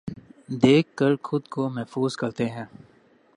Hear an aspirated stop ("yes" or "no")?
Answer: no